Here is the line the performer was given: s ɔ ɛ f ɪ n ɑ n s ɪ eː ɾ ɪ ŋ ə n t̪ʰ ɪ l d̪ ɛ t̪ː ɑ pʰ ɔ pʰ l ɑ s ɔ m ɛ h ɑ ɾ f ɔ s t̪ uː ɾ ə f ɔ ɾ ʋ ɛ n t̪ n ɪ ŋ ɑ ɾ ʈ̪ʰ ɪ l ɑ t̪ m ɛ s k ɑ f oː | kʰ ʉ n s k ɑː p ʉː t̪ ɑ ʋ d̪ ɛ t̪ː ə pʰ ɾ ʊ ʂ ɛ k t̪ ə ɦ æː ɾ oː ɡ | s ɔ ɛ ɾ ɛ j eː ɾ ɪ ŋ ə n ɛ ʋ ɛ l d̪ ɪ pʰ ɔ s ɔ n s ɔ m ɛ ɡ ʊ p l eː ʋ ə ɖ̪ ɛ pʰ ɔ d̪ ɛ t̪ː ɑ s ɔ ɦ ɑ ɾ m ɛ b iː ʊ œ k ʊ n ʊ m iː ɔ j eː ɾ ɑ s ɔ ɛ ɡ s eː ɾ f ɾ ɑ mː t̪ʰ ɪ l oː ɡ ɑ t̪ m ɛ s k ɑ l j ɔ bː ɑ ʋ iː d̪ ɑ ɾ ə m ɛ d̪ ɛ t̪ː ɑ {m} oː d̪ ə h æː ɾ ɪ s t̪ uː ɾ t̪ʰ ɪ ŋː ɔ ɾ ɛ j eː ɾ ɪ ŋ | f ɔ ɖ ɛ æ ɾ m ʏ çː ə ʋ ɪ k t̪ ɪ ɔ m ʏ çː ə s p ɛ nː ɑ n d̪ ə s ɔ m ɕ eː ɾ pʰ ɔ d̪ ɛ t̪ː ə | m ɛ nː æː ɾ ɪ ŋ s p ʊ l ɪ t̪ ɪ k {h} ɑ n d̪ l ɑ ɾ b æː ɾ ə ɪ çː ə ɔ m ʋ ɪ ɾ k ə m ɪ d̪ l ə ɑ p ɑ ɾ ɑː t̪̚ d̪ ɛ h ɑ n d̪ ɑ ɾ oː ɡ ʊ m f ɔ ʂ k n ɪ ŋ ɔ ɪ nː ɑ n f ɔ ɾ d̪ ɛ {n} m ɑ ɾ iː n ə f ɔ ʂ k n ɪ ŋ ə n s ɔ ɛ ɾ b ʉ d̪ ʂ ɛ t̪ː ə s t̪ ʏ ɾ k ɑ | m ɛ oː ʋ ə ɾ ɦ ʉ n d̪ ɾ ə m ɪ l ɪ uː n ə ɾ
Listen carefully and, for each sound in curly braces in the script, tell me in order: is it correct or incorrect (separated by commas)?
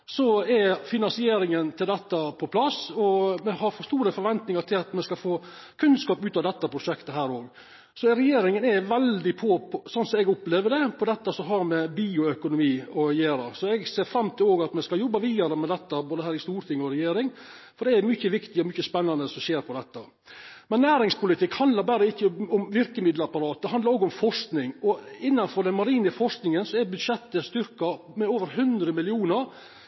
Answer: incorrect, correct, correct